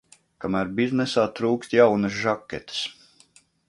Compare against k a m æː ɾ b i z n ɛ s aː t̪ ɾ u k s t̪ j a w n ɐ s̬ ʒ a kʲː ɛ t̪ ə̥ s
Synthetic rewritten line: k a m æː ɾ b i z n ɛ s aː t̪ ɾ uː k s t̪ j a w n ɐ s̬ ʒ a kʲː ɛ t̪ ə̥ s